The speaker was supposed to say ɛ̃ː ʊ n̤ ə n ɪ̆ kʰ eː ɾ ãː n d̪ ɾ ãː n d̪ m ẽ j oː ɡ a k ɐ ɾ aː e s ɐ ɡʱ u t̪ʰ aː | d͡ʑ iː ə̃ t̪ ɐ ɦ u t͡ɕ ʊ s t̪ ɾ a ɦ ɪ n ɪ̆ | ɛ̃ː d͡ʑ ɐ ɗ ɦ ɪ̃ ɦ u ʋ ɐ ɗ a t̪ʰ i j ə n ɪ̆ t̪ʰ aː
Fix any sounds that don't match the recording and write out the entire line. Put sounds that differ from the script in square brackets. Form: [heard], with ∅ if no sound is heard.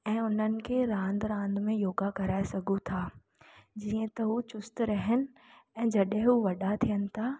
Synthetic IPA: ɛ̃ː ʊ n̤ ə n ɪ̆ kʰ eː ɾ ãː n d̪ ɾ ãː n d̪ m ẽ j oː ɡ a k ɐ ɾ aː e s ɐ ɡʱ u t̪ʰ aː | d͡ʑ iː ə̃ t̪ ɐ ɦ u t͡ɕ ʊ s t̪ ɾ [ɐ] ɦ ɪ n ɪ̆ | ɛ̃ː d͡ʑ ɐ ɗ ɦ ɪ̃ ɦ u ʋ ɐ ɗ a t̪ʰ i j ə n ɪ̆ t̪ʰ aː